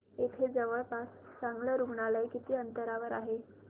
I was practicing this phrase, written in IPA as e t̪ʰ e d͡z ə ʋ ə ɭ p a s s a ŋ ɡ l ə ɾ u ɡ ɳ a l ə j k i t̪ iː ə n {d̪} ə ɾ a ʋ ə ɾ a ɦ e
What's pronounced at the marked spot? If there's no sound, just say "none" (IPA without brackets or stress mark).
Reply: t̪